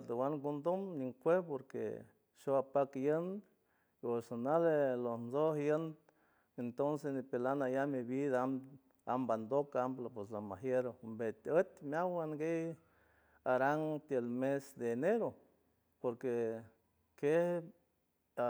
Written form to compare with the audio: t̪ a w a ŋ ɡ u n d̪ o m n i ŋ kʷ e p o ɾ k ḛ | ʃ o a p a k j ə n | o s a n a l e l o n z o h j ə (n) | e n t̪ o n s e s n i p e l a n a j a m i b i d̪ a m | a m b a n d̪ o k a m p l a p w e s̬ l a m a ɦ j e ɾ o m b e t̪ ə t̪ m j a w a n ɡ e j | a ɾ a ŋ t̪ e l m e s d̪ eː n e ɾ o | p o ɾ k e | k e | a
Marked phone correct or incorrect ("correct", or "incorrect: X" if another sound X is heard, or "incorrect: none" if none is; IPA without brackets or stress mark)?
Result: correct